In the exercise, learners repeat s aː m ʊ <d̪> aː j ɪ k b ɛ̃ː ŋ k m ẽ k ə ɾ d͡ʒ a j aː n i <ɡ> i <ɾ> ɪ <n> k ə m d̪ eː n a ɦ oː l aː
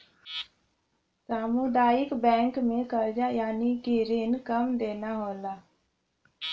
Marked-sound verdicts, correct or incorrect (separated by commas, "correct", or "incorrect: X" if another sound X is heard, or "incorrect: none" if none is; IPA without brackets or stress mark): correct, incorrect: k, correct, correct